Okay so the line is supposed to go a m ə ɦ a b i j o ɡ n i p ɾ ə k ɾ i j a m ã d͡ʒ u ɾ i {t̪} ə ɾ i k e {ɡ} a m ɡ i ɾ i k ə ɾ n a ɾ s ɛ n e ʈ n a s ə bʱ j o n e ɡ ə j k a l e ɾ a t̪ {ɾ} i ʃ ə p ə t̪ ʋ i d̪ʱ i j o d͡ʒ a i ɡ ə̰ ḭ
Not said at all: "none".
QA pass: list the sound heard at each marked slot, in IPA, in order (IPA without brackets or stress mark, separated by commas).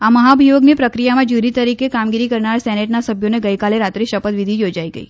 t̪, k, ɾ